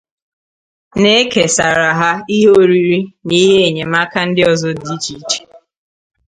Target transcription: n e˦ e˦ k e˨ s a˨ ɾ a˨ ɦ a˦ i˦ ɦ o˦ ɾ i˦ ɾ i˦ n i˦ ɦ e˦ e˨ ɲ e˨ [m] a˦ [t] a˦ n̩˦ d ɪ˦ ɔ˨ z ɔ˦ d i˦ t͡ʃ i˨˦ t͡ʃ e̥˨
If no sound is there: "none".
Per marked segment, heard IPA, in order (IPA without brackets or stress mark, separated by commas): m, k